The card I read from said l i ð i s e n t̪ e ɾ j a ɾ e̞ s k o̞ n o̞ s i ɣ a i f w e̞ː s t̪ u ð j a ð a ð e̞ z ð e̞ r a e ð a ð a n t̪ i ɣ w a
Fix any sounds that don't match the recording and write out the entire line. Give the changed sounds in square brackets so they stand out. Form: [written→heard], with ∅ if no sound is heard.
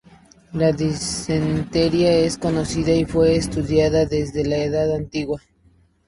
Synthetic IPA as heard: l [i→a] ð i s e n t̪ e ɾ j a [ɾ→∅] e̞ s k o̞ n o̞ s i [ɣ→ð] a i f w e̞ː s t̪ u ð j a ð a ð e̞ z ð e̞ [r→l] a e ð a ð a n t̪ i ɣ w a